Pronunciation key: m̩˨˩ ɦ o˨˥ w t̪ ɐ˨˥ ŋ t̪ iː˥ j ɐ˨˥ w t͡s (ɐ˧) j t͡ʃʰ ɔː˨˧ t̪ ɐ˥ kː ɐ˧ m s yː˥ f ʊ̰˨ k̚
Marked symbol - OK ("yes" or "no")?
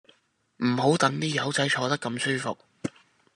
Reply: no